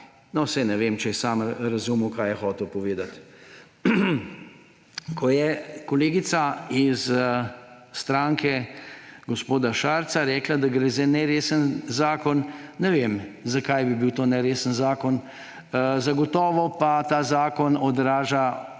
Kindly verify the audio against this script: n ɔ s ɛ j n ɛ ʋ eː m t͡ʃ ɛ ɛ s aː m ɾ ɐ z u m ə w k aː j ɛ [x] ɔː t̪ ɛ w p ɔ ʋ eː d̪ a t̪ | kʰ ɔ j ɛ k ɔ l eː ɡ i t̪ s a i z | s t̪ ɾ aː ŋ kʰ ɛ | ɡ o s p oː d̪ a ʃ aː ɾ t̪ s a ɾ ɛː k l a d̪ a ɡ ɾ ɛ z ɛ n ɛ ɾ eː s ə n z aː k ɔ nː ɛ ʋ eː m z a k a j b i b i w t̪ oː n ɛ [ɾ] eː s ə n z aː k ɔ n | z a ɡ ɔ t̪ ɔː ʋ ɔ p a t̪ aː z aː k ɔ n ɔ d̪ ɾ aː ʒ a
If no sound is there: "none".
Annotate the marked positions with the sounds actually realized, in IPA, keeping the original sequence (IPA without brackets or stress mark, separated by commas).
x, ɾ